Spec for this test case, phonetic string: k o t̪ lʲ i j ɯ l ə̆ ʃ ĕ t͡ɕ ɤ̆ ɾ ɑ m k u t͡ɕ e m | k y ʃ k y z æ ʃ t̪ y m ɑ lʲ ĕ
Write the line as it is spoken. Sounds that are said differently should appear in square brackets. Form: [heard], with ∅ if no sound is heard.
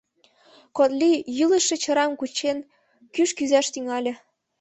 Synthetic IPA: k o t̪ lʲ i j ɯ l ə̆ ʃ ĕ t͡ɕ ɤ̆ ɾ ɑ m k u t͡ɕ e [n] | k y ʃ k y z æ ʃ t̪ y [ŋ] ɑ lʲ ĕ